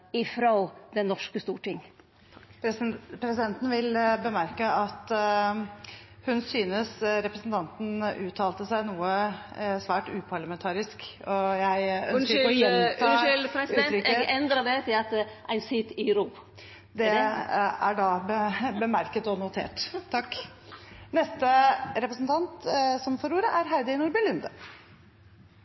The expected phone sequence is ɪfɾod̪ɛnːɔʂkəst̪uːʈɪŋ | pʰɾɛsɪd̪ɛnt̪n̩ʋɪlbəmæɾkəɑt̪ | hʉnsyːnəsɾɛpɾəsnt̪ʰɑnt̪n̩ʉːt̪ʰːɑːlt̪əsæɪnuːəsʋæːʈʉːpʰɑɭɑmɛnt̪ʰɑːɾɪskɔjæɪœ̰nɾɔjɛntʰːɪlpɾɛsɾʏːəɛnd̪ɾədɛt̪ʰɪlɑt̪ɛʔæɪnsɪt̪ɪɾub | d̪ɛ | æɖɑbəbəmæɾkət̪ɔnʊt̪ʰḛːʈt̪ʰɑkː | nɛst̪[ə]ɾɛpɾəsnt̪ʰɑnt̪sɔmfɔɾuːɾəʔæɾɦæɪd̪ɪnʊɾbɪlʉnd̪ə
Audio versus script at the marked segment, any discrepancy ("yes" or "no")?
no